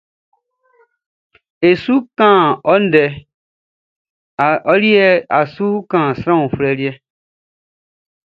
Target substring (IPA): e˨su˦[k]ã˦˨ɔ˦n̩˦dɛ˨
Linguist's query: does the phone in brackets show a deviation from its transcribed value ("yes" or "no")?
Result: no